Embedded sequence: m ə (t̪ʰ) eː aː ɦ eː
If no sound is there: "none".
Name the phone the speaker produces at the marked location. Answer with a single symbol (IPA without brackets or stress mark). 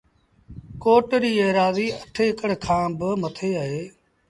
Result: t̪ʰ